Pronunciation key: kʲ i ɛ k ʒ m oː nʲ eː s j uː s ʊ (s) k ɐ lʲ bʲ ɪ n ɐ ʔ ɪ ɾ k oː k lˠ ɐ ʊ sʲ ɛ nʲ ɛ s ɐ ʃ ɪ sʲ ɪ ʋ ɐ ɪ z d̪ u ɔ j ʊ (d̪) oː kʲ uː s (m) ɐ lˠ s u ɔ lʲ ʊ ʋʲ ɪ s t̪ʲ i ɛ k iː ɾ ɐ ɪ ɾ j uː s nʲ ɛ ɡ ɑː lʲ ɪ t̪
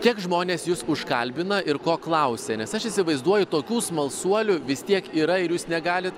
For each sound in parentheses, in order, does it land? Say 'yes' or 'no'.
no, no, yes

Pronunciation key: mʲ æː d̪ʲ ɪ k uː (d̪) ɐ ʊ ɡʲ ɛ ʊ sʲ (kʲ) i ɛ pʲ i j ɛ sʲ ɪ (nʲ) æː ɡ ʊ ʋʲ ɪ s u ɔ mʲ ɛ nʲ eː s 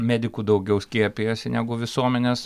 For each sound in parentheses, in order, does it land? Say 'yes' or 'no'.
yes, yes, yes

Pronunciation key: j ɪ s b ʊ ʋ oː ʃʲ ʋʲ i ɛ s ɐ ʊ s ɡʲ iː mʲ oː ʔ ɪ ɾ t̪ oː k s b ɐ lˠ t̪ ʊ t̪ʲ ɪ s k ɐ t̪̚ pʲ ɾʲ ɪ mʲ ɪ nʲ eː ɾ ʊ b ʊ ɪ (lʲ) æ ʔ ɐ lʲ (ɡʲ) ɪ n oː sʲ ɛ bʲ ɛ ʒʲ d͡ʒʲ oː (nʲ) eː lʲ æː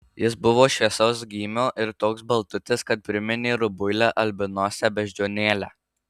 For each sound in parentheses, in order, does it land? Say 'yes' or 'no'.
yes, no, yes

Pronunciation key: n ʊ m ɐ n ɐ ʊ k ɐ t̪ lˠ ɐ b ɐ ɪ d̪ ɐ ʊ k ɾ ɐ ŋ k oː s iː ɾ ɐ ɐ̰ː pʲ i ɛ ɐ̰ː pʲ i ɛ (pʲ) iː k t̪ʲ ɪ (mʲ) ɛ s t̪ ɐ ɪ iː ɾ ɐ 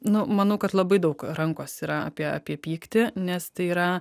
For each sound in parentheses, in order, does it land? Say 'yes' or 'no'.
yes, no

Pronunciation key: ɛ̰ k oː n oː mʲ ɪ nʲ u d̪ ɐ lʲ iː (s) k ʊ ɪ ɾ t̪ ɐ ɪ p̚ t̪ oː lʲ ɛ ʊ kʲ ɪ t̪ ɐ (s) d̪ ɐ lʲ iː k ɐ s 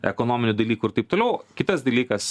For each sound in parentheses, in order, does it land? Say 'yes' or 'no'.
no, yes

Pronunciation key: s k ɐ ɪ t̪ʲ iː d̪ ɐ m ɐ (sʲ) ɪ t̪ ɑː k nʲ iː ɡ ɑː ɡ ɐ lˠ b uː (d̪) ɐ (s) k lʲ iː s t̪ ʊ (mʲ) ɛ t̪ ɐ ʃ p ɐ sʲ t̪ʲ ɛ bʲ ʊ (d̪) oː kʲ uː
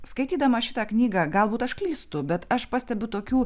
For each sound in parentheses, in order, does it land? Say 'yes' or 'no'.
no, no, no, no, no

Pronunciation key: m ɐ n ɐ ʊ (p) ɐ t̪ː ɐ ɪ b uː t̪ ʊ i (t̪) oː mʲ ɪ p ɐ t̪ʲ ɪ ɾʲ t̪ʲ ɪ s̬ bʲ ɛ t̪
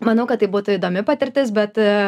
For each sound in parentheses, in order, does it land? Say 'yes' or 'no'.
no, no

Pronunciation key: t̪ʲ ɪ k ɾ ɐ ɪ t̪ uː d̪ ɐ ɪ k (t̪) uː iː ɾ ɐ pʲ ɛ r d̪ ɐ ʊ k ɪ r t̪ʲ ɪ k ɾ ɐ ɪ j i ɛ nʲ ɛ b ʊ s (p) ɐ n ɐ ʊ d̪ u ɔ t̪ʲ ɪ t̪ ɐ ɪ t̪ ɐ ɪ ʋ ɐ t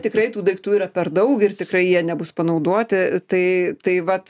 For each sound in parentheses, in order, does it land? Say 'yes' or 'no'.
yes, yes

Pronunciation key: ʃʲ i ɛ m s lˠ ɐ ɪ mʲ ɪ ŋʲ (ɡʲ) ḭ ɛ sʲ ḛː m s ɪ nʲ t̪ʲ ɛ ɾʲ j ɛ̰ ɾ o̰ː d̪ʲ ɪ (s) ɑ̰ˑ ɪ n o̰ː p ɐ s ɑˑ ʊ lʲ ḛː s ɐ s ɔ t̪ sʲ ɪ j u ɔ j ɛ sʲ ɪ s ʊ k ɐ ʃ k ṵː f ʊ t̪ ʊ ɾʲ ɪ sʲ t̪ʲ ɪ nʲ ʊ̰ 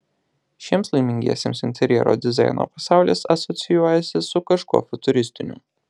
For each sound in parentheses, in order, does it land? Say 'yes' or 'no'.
yes, no

